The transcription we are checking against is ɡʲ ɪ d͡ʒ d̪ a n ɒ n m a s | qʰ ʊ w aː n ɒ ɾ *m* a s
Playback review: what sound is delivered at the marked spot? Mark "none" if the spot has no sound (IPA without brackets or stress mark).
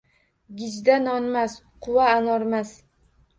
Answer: m